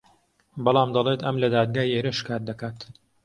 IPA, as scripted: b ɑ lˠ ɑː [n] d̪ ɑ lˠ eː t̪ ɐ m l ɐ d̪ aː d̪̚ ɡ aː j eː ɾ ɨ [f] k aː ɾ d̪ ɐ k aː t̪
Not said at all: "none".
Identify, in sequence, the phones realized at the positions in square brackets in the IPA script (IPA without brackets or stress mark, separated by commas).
m, ʃ